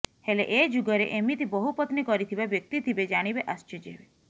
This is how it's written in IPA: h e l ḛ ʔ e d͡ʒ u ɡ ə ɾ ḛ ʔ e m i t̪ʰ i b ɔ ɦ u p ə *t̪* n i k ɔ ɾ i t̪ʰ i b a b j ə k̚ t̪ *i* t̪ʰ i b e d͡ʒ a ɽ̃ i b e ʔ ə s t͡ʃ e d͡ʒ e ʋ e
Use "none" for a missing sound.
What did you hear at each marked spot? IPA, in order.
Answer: t̪, i

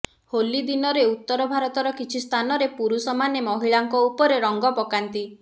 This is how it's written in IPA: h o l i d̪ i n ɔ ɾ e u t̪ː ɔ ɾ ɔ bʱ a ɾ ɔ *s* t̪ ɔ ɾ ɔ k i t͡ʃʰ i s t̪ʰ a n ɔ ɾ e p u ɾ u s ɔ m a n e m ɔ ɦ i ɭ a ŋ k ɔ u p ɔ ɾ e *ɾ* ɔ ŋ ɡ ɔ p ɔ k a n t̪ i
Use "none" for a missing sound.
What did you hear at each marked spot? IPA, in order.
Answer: none, ɾ

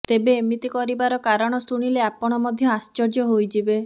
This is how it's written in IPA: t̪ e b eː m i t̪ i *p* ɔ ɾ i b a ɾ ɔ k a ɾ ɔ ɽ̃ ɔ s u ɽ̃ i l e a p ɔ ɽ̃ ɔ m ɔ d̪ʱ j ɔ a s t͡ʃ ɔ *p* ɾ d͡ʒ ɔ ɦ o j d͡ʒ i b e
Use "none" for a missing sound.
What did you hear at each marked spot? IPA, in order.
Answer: k, none

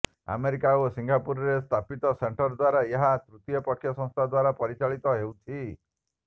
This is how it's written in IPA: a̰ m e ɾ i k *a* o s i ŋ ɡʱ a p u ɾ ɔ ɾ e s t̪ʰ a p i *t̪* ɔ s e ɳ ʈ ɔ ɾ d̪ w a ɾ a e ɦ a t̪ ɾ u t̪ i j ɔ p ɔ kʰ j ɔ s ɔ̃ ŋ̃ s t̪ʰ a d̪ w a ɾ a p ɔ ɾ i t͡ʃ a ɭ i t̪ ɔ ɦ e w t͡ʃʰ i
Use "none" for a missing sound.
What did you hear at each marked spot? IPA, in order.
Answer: a, t̪

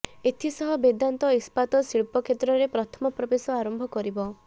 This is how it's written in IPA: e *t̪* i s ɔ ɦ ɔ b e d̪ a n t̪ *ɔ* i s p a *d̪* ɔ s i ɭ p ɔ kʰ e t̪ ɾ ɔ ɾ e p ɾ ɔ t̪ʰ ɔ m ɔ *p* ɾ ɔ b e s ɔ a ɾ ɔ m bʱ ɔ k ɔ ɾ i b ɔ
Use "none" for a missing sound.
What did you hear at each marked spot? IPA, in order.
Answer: t̪ʰ, ɔ, t̪, p

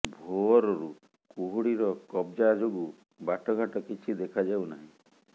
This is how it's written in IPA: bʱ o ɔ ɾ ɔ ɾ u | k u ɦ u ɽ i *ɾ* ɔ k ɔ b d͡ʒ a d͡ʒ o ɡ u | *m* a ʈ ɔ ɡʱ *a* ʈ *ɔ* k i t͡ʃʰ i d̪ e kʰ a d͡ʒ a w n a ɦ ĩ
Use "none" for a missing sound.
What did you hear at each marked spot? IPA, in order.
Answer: ɾ, b, a, ɔ

